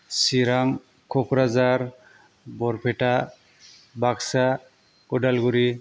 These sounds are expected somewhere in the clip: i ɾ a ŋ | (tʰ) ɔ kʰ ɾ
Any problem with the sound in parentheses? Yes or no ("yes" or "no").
yes